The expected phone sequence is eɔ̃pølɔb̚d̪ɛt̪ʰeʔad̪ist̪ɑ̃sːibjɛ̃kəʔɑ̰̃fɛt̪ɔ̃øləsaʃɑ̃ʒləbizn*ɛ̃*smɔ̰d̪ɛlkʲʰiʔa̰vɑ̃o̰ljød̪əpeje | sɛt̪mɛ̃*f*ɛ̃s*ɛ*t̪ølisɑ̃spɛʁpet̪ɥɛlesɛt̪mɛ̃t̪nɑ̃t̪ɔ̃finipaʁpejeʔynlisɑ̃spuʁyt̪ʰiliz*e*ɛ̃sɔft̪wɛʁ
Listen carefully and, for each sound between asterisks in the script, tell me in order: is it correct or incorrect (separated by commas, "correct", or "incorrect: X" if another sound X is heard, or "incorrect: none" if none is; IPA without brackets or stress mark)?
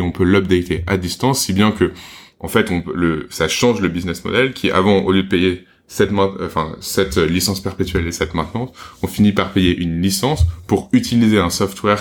incorrect: ɛ, correct, correct, correct